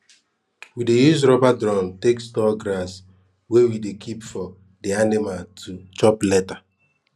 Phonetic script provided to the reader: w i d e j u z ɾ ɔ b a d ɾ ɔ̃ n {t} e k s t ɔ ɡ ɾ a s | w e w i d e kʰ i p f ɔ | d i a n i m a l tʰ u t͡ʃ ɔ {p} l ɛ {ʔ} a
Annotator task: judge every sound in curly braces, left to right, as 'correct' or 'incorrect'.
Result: correct, correct, incorrect

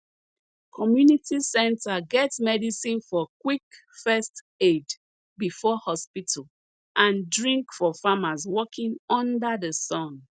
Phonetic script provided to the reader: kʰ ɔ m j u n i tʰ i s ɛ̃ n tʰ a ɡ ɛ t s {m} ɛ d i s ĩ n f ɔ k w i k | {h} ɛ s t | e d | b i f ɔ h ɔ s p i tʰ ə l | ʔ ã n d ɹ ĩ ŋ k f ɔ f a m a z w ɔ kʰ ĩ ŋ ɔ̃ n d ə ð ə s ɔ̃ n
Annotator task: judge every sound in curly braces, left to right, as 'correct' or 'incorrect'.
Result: correct, incorrect

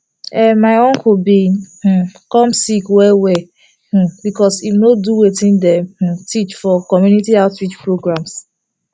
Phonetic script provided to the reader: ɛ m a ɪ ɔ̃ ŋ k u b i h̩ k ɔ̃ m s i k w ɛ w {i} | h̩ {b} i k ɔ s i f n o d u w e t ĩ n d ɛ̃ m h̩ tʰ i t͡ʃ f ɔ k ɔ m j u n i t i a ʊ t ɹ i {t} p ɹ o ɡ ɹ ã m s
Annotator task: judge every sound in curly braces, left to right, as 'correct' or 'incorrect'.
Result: incorrect, correct, incorrect

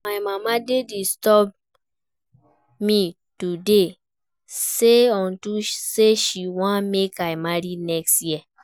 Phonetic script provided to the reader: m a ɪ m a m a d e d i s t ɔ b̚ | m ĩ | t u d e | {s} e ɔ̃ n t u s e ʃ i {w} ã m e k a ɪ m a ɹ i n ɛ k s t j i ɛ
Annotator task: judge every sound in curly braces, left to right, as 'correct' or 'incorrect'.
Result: correct, correct

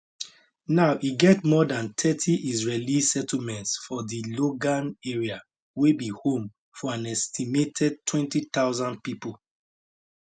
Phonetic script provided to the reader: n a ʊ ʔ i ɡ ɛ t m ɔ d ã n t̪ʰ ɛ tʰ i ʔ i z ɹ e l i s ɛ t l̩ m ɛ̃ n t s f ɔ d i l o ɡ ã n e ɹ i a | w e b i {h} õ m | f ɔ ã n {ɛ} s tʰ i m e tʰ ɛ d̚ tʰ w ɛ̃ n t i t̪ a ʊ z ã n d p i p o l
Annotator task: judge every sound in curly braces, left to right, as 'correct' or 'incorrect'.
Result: correct, correct

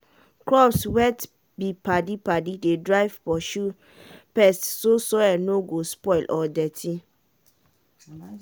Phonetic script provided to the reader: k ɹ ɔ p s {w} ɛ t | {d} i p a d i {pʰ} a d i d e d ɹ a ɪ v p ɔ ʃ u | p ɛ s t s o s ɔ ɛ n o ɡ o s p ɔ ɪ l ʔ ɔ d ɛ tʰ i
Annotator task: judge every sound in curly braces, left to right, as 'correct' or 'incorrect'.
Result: correct, incorrect, incorrect

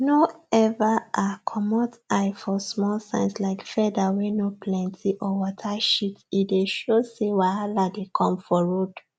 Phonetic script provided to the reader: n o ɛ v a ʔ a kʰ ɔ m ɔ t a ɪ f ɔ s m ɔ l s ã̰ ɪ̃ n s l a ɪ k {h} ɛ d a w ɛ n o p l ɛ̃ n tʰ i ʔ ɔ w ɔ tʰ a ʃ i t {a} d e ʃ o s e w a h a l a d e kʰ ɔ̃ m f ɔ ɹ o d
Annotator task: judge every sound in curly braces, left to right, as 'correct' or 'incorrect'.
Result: incorrect, incorrect

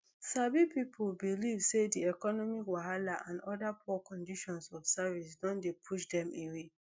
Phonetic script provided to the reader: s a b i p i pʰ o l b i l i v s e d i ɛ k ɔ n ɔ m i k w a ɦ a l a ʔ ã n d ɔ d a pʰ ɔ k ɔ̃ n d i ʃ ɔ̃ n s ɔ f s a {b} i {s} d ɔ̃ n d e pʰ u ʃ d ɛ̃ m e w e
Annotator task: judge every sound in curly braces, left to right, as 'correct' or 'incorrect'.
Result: incorrect, correct

